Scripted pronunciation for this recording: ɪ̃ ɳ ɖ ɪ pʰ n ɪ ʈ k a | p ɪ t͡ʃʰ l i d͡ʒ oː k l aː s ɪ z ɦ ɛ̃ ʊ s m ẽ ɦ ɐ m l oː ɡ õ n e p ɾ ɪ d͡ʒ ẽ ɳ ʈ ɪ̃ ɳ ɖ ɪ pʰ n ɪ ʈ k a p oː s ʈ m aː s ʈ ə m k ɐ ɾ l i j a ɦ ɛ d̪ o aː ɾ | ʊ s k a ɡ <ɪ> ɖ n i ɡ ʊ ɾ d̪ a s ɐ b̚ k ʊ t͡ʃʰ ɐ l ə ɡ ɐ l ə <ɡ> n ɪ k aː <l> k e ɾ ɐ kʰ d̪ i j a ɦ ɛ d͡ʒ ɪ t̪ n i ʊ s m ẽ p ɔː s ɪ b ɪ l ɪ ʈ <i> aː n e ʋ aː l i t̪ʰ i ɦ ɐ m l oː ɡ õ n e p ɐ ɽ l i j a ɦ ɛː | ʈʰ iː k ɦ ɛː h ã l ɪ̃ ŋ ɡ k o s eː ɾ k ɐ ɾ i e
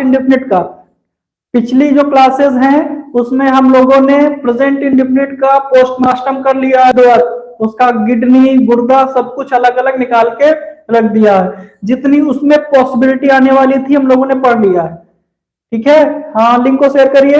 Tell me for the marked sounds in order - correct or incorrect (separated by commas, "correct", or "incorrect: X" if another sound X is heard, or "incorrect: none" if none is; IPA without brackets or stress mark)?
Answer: correct, correct, correct, correct